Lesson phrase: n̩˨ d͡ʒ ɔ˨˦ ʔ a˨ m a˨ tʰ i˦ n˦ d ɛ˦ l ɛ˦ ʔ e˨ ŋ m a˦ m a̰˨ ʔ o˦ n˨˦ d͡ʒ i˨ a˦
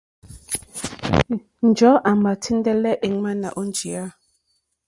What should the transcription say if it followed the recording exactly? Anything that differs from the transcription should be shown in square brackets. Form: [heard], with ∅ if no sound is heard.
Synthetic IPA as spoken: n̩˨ d͡ʒ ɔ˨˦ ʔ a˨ m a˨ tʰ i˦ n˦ d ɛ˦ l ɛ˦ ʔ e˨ ŋ m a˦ [n] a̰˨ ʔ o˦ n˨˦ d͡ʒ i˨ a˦